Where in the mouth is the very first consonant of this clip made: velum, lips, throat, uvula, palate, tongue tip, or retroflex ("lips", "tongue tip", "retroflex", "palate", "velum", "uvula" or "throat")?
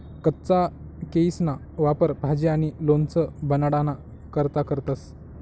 velum